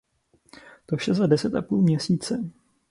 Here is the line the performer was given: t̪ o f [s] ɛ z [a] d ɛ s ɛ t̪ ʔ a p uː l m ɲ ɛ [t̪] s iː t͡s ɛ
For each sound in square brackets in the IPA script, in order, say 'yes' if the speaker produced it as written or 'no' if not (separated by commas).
no, yes, no